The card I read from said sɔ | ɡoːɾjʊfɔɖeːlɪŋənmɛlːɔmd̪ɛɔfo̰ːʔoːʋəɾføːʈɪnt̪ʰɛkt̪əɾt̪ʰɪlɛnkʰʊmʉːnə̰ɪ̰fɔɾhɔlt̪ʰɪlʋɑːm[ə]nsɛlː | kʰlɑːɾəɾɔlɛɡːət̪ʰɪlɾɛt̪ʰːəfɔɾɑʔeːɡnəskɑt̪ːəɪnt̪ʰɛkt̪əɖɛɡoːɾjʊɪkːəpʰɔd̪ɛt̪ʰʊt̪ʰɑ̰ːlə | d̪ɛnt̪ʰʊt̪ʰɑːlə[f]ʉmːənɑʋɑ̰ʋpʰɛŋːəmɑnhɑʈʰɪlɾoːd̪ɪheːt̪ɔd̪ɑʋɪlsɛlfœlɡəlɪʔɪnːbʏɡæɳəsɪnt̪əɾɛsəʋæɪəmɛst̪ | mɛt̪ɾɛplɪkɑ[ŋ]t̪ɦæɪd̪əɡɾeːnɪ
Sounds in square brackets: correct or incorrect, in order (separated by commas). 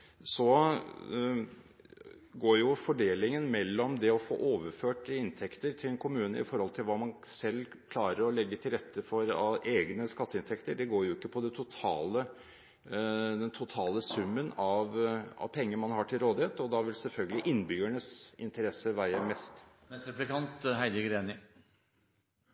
incorrect, incorrect, incorrect